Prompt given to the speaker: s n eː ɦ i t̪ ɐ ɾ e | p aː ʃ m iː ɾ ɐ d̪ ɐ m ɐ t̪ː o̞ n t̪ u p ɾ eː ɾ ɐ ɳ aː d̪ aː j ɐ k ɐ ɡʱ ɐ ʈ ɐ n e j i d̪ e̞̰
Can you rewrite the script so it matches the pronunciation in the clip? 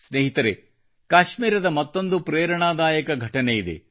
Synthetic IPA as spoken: s n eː ɦ i t̪ ɐ ɾ e | k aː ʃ m iː ɾ ɐ d̪ ɐ m ɐ t̪ː o̞ n d̪ u p ɾ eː ɾ ɐ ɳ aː d̪ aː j ɐ k ɐ ɡʱ ɐ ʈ ɐ n e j i d̪ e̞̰